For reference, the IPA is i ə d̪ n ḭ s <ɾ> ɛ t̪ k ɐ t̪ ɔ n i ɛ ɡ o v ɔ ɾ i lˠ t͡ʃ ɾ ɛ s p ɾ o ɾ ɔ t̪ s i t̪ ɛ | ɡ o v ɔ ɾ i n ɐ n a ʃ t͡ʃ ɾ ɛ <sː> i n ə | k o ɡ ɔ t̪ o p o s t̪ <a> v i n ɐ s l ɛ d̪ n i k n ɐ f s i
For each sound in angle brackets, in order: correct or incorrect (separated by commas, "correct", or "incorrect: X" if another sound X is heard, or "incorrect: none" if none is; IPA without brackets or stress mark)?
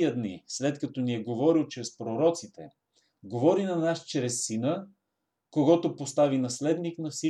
incorrect: l, correct, correct